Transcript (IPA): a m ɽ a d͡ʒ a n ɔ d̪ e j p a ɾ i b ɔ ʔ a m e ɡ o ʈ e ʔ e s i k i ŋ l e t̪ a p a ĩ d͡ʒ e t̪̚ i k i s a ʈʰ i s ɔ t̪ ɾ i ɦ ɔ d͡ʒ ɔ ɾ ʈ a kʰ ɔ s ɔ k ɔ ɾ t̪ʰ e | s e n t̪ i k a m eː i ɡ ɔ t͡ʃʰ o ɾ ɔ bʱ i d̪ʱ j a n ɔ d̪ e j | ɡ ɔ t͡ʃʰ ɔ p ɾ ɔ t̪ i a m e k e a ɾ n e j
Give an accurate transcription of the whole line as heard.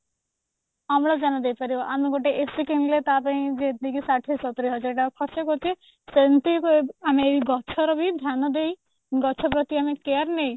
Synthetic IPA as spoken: a m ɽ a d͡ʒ a n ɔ d̪ e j p a ɾ i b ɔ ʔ a m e ɡ o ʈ e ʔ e s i k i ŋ l e t̪ a p a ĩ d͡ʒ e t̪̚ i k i s a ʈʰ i s ɔ t̪ ɾ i ɦ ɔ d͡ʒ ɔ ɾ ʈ a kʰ ɔ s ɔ k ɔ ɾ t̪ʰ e | s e n t̪ i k a m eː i ɡ ɔ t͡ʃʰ ɔ ɾ ɔ bʱ i d̪ʱ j a n ɔ d̪ e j | ɡ ɔ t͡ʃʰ ɔ p ɾ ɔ t̪ i a m e k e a ɾ n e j